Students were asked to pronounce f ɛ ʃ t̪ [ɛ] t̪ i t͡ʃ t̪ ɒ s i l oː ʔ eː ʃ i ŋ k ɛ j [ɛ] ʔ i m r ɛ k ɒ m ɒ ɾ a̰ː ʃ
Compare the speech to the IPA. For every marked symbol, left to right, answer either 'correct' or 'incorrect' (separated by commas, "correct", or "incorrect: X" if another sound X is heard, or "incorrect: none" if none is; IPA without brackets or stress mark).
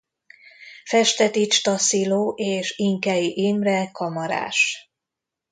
correct, incorrect: i